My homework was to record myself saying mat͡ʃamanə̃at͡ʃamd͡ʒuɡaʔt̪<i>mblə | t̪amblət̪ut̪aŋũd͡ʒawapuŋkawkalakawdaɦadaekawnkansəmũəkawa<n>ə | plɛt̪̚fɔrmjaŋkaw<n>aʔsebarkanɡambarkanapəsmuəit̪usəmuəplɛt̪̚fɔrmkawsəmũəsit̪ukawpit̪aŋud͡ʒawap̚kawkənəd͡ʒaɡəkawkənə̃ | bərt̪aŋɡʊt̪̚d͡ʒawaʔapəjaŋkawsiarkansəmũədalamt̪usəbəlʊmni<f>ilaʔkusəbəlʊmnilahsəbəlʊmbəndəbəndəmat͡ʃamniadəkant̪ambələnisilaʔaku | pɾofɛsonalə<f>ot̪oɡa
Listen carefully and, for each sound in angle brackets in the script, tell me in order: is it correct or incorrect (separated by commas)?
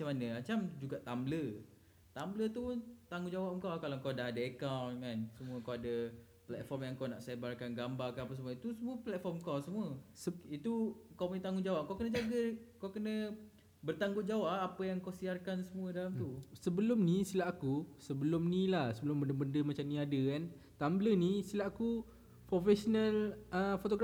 incorrect, incorrect, correct, incorrect, correct